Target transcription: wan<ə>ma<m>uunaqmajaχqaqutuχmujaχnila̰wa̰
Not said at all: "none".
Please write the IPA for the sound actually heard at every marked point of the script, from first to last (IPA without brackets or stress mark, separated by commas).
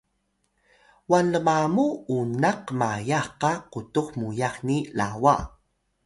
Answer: ə, m